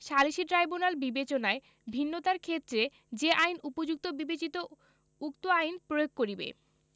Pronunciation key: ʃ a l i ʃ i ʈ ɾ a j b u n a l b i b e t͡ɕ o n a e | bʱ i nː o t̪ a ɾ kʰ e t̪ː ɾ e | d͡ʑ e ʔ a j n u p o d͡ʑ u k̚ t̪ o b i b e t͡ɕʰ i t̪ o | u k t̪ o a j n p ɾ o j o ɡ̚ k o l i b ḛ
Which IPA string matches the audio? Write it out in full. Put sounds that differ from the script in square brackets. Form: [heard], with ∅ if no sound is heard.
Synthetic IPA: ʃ a l i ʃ i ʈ ɾ a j b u n a l b i b e t͡ɕ o n a e | bʱ i nː o t̪ a ɾ kʰ e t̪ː ɾ e | d͡ʑ e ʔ a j n u p o d͡ʑ u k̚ t̪ o b i b e [t͡ɕ] i t̪ o | u k t̪ o a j n p ɾ o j o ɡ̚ k o [ɾ] i b ḛ